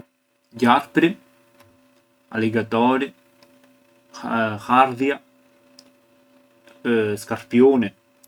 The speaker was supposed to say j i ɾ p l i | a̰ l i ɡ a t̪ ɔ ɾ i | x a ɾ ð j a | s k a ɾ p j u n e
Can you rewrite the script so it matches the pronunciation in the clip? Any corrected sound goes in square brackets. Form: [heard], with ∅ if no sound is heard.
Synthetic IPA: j [a] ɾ p [ɾ] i | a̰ l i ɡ a t̪ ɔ ɾ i | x a ɾ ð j a | s k a ɾ p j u n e

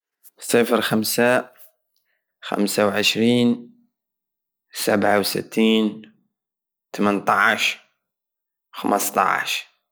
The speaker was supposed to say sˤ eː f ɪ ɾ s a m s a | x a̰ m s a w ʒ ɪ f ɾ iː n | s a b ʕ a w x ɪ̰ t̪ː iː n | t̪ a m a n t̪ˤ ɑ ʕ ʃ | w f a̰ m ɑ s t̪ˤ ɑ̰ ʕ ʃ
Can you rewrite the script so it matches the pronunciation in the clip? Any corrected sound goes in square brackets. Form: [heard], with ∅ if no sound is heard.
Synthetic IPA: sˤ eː f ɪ ɾ [x] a m s a | x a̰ m s a w [ʕ] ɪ [ʃ] ɾ iː n | s a b ʕ a w [s] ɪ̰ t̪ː iː n | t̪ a m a n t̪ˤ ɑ ʕ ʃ | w [x] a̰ m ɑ s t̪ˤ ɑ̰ ʕ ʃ

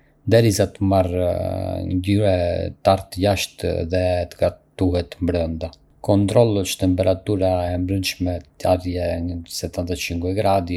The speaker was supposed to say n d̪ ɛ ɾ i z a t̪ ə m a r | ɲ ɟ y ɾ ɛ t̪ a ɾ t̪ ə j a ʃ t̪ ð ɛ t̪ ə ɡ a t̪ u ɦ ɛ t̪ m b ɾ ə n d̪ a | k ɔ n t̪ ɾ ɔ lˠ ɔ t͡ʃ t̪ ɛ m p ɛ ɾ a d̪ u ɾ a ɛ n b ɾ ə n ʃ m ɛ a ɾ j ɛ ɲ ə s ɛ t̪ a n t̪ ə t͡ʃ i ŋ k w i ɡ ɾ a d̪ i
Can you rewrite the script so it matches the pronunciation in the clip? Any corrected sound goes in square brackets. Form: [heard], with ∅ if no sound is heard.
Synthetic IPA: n d̪ ɛ ɾ i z a t̪ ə m a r | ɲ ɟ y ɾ ɛ t̪ a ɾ t̪ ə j a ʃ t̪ ð ɛ t̪ ə ɡ a t̪ u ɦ ɛ t̪ m b ɾ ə n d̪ a | k ɔ n t̪ ɾ ɔ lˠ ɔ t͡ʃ t̪ ɛ m p ɛ ɾ a [t̪] u ɾ a ɛ [m] b ɾ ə n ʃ m ɛ a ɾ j ɛ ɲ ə s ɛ t̪ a n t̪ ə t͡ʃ i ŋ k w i ɡ ɾ a d̪ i

